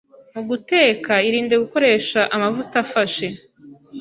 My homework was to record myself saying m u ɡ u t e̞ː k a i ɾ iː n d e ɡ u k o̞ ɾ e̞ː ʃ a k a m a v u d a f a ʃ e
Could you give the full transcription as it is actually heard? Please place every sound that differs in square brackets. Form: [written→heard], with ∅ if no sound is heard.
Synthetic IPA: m u ɡ u t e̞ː k a i ɾ iː n d e ɡ u k o̞ ɾ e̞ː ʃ a [k→ʔ] a m a v u [d→t] a f a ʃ e